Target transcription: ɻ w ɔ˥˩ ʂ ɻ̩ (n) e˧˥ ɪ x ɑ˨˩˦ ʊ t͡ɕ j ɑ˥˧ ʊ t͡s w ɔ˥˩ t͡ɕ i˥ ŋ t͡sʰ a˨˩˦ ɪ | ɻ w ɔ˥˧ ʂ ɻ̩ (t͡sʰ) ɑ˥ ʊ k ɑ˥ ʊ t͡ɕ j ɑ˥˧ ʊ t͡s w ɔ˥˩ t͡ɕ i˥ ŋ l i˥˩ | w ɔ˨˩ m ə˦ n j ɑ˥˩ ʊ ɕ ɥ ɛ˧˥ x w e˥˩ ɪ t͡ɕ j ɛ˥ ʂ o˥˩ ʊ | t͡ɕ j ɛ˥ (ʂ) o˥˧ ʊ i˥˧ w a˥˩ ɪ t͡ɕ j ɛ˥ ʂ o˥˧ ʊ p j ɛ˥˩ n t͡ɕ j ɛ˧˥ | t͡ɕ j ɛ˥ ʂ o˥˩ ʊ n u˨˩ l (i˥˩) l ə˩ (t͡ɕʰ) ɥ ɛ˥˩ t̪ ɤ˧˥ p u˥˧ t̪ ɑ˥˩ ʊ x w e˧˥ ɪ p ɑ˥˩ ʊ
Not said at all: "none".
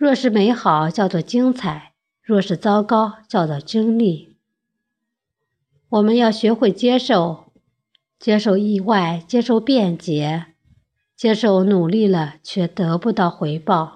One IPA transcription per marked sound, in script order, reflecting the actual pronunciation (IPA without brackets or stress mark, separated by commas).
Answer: m, t͡s, ʂ, i˥˩, t͡ɕʰ